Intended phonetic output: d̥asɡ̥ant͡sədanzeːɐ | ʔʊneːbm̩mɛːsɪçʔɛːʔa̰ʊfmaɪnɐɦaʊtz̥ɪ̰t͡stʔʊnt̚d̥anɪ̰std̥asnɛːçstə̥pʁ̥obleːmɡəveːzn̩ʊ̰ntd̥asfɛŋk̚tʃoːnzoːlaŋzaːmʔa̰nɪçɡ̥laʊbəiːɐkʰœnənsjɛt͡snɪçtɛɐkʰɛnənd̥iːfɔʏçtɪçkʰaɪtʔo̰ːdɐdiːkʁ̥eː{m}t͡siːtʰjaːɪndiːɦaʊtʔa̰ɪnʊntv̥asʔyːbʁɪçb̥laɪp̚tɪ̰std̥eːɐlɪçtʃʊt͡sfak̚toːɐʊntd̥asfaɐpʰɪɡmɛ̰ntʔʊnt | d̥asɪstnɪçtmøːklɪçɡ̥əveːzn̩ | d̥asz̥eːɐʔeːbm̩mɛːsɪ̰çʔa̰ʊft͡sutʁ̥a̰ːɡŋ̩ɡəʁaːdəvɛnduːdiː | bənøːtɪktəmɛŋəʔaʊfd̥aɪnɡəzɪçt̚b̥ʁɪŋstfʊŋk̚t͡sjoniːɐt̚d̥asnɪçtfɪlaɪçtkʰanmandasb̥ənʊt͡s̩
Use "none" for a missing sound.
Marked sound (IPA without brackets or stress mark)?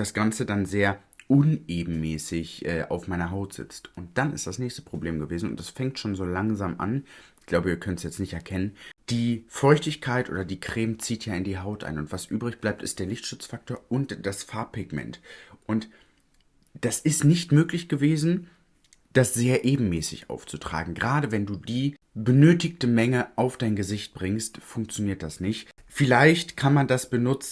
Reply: m